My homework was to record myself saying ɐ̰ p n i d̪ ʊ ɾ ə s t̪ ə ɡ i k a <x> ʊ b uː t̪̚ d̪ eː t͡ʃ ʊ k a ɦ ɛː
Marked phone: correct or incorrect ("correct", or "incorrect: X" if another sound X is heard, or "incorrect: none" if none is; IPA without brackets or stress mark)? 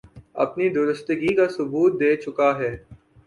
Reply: incorrect: s